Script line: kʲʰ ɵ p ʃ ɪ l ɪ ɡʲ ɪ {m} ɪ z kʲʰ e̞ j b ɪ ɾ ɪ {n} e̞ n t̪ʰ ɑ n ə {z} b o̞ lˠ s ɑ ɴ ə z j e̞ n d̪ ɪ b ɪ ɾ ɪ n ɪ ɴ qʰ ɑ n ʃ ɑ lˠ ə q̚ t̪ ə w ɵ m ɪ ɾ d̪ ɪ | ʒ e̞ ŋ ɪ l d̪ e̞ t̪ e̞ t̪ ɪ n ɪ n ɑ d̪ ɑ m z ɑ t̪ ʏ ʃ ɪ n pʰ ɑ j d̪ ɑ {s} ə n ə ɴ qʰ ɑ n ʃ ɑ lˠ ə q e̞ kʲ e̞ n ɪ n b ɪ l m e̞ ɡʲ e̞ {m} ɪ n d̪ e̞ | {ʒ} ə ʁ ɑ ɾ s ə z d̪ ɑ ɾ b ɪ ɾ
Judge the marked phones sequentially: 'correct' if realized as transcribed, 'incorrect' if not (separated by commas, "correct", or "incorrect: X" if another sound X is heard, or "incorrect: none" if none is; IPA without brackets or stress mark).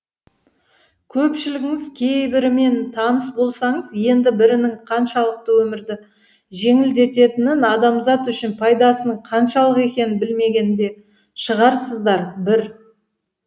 incorrect: ŋ, incorrect: m, incorrect: s, correct, incorrect: n, incorrect: ʃ